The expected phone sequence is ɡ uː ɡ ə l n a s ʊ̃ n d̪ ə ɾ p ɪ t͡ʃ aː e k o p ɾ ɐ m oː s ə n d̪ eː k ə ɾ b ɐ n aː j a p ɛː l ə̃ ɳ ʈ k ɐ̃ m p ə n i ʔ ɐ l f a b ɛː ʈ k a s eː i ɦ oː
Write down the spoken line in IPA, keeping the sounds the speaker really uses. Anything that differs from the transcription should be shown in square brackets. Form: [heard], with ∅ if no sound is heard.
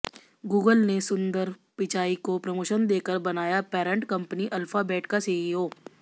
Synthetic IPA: ɡ uː ɡ ə l n [e] s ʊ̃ n d̪ ə ɾ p ɪ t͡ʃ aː [i] k o p ɾ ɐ m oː [ʃ] ə n d̪ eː k ə ɾ b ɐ n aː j a p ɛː [ɾ] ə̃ ɳ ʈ k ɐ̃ m p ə n i ʔ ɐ l f a b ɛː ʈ k a s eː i ɦ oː